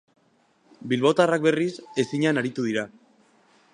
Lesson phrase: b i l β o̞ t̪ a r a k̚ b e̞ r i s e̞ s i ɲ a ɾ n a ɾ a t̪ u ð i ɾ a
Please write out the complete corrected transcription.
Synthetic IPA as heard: b i l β o̞ t̪ a r a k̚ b e̞ r i s e̞ s i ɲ a n a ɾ i t̪ u ð i ɾ a

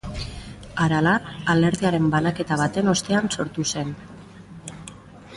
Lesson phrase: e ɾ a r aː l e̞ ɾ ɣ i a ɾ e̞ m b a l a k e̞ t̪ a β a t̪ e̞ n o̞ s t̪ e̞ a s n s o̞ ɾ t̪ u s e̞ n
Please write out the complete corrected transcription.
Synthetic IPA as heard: a ɾ a l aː l e̞ ɾ ð i a ɾ e̞ m b a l a k e̞ t̪ a β a t̪ e̞ n o̞ s t̪ e̞ a n s o̞ ɾ t̪ u s e̞ n

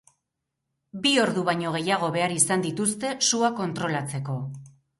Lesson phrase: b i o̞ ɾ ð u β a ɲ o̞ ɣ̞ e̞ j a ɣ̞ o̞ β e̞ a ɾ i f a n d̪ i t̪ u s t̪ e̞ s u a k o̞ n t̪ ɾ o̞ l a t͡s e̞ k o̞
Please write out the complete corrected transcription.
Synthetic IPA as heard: b i o̞ ɾ ð u β a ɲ o̞ ɣ̞ e̞ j a ɣ̞ o̞ β e̞ a ɾ i s a n d̪ i t̪ u s t̪ e̞ s u a k o̞ n t̪ ɾ o̞ l a t͡s e̞ k o̞

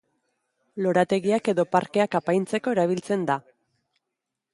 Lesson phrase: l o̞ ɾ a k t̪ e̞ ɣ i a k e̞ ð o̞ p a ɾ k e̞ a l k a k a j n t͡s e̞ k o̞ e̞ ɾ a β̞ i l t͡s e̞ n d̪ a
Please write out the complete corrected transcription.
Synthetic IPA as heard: l o̞ ɾ a t̪ e̞ ɣ i a k e̞ ð o̞ p a ɾ k e̞ a k a p a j n t͡s e̞ k o̞ e̞ ɾ a β̞ i l t͡s e̞ n d̪ a

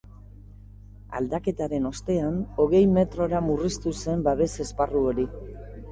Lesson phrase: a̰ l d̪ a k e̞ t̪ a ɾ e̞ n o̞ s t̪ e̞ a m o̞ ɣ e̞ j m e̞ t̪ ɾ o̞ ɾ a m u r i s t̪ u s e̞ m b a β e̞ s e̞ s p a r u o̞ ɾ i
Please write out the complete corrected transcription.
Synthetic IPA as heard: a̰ l d̪ a k e̞ t̪ a ɾ e̞ n o̞ s t̪ e̞ a n o̞ ɣ e̞ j m e̞ t̪ ɾ o̞ ɾ a m u r i s t̪ u s e̞ m b a β e̞ s e̞ s p a r u o̞ ɾ i

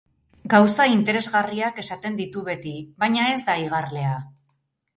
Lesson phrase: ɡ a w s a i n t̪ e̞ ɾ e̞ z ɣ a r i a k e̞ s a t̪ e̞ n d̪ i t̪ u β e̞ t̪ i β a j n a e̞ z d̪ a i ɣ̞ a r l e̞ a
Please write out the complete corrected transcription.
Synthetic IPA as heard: ɡ a w s a i n t̪ e̞ ɾ e̞ z ɣ a r i a k e̞ s a t̪ e̞ n d̪ i t̪ u β e̞ t̪ i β a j ɲ a e̞ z d̪ a i ɣ̞ a r l e̞ a

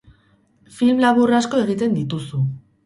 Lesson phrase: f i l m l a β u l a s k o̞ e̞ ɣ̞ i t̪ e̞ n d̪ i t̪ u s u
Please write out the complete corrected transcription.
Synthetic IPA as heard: f i l m l a β u r a s k o̞ e̞ ɣ̞ i t̪ e̞ n d̪ i t̪ u s u

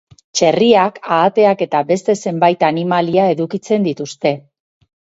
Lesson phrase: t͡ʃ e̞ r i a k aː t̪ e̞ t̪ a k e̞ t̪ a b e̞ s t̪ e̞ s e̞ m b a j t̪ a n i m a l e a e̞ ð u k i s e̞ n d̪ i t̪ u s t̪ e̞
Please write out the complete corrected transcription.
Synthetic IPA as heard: t͡ʃ e̞ r i a k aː t̪ e̞ a k e̞ t̪ a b e̞ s t̪ e̞ s e̞ m b a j t̪ a n i m a l i a e̞ ð u k i t͡s e̞ n d̪ i t̪ u s t̪ e̞

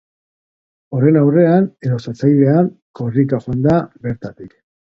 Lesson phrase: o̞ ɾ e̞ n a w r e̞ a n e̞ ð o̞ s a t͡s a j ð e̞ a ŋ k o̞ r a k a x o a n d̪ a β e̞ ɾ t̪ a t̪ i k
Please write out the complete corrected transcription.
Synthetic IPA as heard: o̞ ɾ e̞ n a w r e̞ a n e̞ ð o̞ s a t͡s a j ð e̞ a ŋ k o̞ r i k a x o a n d̪ a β e̞ ɾ t̪ a t̪ i k

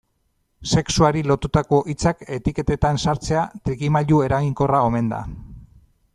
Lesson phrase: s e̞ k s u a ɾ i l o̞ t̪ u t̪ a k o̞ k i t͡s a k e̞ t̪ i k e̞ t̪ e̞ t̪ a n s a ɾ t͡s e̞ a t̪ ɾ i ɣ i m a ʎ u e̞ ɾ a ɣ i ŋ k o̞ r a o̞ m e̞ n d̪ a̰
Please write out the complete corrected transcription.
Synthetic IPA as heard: s e̞ k s u a ɾ i l o̞ t̪ u t̪ a k o̞ ʔ i t͡s a k e̞ t̪ i k e̞ t̪ e̞ t̪ a n s a ɾ t͡s e̞ a t̪ ɾ i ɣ i m a ʎ u e̞ ɾ a ɣ i ŋ k o̞ r a o̞ m e̞ n d̪ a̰

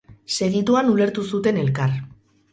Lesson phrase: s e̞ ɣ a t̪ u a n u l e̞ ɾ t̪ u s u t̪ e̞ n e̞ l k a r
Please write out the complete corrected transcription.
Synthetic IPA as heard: s e̞ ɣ i t̪ u a n u l e̞ ɾ t̪ u s u t̪ e̞ n e̞ l k a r

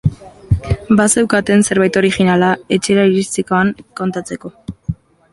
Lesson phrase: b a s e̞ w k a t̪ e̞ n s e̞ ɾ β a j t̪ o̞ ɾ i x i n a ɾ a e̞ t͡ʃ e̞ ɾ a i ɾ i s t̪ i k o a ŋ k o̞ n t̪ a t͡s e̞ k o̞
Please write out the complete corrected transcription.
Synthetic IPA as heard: b a s e̞ w k a t̪ e̞ n s e̞ ɾ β a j t̪ o̞ ɾ i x i n a l a e̞ t͡ʃ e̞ ɾ a i ɾ i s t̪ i k o a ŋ k o̞ n t̪ a t͡s e̞ k o̞

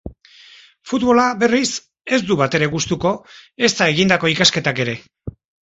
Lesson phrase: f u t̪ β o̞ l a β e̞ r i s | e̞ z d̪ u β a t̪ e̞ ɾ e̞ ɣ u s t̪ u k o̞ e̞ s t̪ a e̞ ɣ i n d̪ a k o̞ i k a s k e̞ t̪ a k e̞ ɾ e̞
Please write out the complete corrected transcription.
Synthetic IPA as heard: f u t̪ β o̞ l a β e̞ r i s | e̞ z d̪ u β a t̪ e̞ ɾ e̞ ɣ u s t̪ u k o̞ e̞ s t̪ a e̞ ɣ i n d̪ a k o̞ i k a s k e̞ t̪ a k e̞ ɾ e̞

